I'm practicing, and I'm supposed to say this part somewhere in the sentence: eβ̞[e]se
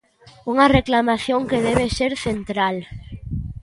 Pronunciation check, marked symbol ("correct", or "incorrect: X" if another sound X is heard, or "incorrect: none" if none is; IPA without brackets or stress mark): correct